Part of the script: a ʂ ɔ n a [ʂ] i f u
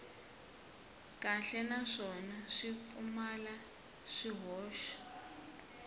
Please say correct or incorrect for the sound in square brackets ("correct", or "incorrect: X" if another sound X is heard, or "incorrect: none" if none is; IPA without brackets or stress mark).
correct